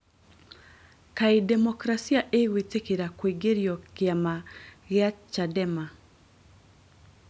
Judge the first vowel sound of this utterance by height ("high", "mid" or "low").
low